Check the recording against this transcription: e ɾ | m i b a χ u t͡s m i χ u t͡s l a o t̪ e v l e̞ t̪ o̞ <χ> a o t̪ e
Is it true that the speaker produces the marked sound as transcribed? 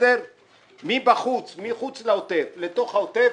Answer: yes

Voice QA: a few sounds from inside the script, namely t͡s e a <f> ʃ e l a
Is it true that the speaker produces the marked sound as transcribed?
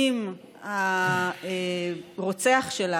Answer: no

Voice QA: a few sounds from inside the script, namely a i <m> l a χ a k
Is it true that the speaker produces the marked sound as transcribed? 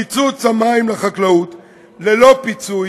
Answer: yes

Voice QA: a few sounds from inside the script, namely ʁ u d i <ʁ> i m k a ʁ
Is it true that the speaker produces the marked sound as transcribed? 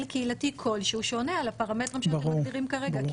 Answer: yes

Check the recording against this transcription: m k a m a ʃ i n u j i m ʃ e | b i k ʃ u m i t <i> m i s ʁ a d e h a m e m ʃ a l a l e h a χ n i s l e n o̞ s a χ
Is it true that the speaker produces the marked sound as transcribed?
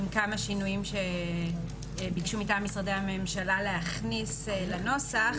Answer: no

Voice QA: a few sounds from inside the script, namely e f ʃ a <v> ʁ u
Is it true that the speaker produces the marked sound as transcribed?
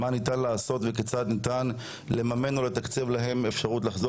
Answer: no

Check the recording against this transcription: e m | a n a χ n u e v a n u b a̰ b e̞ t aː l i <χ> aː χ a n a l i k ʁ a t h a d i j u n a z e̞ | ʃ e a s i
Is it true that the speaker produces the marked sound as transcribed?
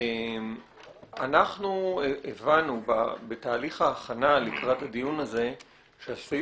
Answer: yes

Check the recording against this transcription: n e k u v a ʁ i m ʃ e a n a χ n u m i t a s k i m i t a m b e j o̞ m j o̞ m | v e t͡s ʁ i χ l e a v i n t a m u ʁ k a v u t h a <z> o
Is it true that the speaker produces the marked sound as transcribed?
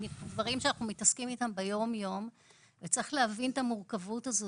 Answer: yes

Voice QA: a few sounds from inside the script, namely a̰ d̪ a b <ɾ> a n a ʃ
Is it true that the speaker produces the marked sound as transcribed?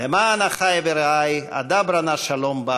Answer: yes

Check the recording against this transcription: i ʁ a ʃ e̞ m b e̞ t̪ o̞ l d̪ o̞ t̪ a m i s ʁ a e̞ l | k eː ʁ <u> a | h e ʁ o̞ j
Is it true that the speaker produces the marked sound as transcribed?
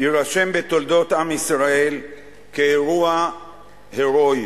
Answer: yes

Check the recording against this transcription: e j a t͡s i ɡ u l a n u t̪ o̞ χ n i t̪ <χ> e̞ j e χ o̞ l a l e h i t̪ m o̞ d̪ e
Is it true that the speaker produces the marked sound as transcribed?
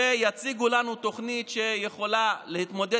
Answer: no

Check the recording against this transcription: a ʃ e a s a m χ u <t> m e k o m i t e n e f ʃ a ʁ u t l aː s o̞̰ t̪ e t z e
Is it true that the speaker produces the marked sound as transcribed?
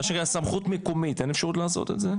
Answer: yes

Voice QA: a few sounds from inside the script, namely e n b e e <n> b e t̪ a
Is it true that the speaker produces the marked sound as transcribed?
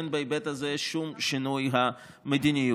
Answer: no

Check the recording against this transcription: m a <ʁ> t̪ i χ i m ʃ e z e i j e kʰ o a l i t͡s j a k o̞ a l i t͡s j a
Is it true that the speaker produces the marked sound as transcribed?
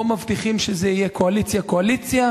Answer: no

